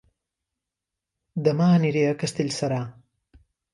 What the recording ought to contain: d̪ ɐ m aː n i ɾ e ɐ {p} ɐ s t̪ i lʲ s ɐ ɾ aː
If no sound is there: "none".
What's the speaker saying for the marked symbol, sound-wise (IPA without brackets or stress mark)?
k